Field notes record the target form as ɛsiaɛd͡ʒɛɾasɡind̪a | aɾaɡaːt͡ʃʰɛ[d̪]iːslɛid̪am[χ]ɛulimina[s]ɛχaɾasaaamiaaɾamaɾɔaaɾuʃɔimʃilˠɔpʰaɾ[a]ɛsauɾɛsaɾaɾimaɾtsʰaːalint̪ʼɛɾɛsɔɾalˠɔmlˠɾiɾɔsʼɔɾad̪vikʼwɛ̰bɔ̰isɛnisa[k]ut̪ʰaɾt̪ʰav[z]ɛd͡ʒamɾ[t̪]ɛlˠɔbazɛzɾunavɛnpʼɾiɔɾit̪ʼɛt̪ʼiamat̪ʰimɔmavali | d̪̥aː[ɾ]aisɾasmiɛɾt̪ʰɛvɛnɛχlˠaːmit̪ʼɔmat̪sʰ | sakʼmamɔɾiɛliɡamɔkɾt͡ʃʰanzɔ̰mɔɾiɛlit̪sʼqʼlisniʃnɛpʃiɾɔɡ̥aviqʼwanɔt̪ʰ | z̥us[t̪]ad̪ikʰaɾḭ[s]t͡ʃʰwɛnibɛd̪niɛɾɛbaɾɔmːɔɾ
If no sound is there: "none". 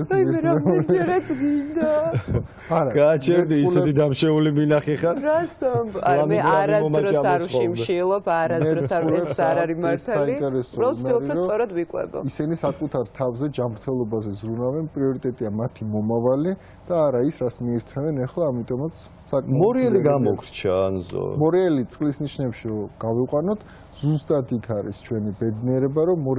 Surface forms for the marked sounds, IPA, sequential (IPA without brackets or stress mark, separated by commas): d̪, ʃ, χ, a, kʼ, z, t̪ʰ, ɾ, t̪ʼ, s